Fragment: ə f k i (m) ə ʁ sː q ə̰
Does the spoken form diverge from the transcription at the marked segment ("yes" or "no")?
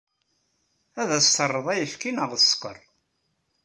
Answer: yes